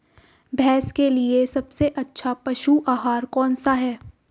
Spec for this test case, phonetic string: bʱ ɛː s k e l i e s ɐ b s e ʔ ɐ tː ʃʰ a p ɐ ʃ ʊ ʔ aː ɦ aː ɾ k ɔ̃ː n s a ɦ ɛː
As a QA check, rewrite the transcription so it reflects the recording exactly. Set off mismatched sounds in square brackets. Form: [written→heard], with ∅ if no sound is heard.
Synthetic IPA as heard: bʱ ɛː s k e l i e s ɐ b s e ʔ ɐ tː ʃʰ a p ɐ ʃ [ʊ→u] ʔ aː ɦ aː ɾ k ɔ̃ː n s a ɦ ɛː